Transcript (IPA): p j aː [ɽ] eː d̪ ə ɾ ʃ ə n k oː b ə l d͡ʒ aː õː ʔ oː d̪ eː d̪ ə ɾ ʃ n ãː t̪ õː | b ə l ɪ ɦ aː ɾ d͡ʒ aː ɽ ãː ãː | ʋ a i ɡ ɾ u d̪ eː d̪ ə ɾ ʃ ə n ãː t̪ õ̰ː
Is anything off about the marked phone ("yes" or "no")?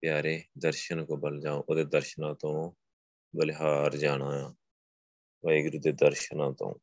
yes